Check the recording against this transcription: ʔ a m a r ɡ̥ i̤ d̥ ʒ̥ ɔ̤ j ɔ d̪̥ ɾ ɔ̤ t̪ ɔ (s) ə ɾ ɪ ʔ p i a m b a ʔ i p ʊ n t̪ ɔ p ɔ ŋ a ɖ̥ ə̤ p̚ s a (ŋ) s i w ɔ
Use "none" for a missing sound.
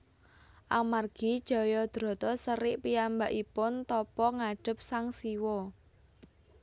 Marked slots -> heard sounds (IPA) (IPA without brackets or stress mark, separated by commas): s, ŋ